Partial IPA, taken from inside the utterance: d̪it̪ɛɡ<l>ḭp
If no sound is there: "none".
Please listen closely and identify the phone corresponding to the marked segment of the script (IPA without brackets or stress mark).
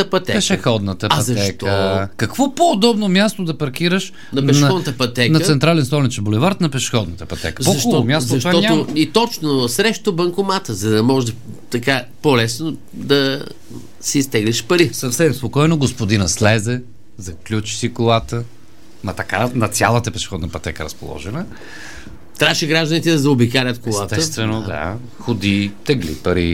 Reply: l